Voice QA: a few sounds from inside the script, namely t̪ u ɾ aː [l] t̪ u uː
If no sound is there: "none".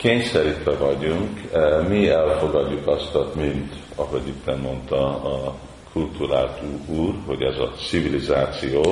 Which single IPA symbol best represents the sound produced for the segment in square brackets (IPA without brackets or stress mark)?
l